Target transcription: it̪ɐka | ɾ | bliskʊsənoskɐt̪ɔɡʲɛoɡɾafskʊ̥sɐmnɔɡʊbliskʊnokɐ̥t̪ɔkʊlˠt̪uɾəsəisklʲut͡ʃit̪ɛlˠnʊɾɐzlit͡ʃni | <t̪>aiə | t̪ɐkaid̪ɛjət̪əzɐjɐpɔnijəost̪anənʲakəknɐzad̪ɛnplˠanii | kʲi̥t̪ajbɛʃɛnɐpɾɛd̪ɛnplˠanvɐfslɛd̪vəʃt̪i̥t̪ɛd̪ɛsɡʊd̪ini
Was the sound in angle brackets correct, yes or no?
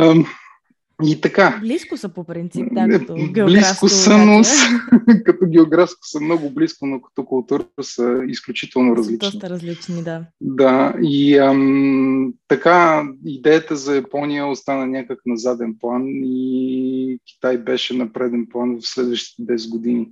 no